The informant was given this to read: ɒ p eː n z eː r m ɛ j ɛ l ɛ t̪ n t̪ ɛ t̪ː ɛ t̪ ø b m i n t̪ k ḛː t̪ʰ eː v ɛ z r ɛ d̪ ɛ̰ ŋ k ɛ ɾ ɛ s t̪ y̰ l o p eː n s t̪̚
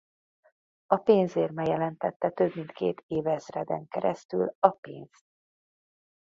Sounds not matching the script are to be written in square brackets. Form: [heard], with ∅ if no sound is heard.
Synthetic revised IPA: ɒ p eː n z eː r m ɛ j ɛ l ɛ [∅] n t̪ ɛ t̪ː ɛ t̪ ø b m i n t̪ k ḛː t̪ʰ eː v ɛ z r ɛ d̪ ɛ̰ ŋ k ɛ ɾ ɛ s t̪ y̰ l [ɒ] p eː n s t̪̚